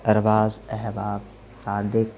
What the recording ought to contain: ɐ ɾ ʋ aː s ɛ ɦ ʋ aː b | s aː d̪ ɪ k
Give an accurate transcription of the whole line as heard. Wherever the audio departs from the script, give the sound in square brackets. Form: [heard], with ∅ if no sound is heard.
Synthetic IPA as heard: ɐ ɾ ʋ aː [z] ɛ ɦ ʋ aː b | s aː d̪ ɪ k